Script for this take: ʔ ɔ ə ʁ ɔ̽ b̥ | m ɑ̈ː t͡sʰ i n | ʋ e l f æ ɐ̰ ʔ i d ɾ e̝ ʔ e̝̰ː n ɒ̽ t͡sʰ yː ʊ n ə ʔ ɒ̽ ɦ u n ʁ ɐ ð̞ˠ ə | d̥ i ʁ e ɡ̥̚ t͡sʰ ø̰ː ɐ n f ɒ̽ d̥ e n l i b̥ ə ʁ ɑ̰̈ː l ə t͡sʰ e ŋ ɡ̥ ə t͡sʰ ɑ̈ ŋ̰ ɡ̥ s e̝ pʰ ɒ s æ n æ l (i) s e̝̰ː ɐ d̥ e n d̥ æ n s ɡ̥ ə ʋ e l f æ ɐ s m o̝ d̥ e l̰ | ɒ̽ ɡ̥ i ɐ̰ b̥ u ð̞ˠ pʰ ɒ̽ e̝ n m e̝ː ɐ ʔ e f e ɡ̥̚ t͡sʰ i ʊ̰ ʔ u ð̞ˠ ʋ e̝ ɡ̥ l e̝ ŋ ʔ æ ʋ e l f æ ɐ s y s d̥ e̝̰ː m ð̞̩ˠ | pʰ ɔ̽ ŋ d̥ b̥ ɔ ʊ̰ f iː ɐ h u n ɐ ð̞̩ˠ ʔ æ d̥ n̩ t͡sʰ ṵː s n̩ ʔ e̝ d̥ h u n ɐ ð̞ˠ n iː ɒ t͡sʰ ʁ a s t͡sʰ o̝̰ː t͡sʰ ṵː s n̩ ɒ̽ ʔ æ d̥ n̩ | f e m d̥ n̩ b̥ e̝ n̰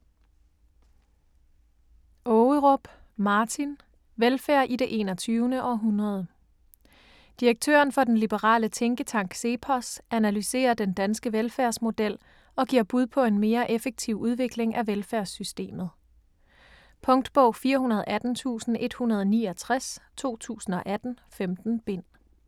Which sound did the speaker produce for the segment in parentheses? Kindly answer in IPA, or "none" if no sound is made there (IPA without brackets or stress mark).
y